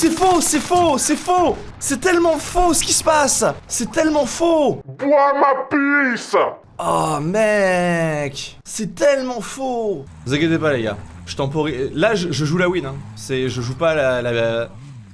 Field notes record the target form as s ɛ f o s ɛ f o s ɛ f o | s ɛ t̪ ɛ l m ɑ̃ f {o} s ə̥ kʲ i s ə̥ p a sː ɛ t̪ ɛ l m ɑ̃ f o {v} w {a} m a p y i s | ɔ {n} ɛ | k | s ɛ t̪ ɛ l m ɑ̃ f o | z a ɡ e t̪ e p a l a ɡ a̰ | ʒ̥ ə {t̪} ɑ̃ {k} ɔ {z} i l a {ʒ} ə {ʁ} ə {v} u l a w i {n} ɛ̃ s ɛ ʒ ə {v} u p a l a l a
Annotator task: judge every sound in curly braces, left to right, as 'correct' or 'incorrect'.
correct, incorrect: b, correct, incorrect: m, correct, incorrect: p, incorrect: ʁ, correct, incorrect: ʒ, incorrect: ʒ, correct, incorrect: ʒ

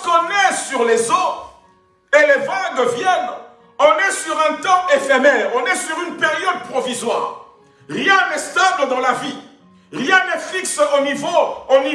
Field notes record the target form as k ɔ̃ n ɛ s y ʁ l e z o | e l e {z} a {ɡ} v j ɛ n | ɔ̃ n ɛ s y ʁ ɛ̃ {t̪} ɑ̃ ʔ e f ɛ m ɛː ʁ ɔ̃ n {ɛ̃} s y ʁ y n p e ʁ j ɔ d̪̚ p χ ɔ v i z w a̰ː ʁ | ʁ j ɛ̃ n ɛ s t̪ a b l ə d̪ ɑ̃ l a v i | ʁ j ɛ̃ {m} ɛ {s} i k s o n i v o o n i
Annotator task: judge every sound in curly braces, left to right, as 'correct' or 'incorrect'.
incorrect: v, correct, correct, incorrect: ɛ, incorrect: n, incorrect: f

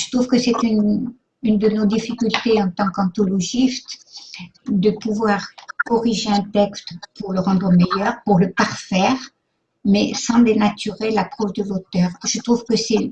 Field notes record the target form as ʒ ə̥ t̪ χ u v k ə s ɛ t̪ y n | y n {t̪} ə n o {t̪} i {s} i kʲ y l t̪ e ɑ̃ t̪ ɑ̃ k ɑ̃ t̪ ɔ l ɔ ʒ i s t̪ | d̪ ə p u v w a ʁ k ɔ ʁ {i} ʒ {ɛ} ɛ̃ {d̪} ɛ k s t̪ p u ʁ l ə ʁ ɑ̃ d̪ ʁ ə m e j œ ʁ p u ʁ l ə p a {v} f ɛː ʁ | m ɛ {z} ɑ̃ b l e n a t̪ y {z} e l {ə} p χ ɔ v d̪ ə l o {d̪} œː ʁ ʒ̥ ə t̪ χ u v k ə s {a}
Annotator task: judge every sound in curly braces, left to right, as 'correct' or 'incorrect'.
incorrect: d̪, incorrect: d̪, incorrect: f, correct, incorrect: e, incorrect: t̪, incorrect: ʁ, incorrect: s, incorrect: ʁ, incorrect: a, incorrect: t̪, incorrect: ɛ

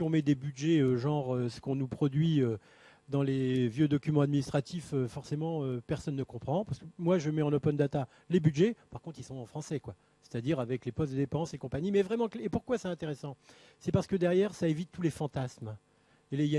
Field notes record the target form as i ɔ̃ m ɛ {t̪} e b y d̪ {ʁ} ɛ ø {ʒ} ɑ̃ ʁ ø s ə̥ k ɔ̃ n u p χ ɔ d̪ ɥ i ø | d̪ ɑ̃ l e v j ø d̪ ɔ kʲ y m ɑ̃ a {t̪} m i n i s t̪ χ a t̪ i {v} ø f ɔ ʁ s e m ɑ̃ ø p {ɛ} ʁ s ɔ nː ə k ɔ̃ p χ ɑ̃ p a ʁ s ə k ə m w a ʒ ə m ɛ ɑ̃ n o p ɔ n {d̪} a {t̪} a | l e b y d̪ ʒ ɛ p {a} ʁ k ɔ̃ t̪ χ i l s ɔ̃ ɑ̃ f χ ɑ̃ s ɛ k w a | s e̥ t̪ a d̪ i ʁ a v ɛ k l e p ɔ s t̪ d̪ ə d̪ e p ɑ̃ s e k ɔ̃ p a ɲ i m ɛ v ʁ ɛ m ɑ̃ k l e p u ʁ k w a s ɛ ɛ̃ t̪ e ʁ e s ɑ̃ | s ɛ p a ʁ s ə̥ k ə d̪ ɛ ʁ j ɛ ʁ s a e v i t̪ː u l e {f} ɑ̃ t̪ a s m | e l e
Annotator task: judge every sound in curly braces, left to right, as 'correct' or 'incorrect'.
incorrect: d̪, incorrect: ʒ, correct, incorrect: d̪, incorrect: f, correct, correct, correct, correct, correct

